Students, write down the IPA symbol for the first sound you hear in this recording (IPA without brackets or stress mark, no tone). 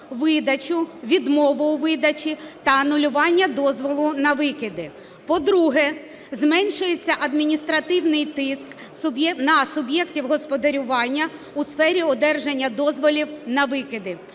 ʋ